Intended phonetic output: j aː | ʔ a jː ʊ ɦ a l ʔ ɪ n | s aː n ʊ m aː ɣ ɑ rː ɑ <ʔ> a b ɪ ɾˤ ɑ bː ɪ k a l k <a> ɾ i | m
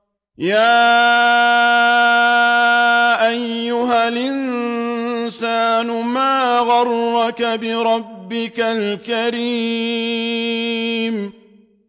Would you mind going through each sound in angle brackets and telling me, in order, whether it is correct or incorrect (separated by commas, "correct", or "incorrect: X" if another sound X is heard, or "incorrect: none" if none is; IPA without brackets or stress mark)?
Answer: incorrect: k, correct